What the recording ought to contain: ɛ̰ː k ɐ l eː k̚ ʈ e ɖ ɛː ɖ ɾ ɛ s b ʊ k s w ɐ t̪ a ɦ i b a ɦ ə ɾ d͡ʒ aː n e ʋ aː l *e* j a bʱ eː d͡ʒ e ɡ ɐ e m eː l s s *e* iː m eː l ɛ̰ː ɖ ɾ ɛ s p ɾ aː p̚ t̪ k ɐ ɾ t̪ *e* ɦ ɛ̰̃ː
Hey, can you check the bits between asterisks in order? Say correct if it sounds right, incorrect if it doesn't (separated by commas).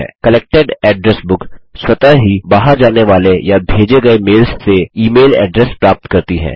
correct, correct, incorrect